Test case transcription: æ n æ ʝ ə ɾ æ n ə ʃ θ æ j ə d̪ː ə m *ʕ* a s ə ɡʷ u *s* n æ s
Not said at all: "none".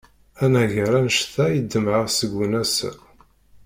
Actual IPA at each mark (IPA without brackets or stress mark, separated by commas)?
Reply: ʕ, none